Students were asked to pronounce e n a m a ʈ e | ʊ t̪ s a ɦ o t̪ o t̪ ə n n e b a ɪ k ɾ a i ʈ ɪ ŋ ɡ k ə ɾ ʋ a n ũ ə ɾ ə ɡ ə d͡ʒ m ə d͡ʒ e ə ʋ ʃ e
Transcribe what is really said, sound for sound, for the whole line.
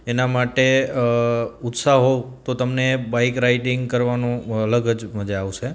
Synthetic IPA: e n a m a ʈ e | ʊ t̪ s a ɦ o t̪ o t̪ ə m n e b a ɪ k ɾ a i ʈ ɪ ŋ ɡ k ə ɾ ʋ a n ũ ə l ə ɡ ə d͡ʒ m ə d͡ʒ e a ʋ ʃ e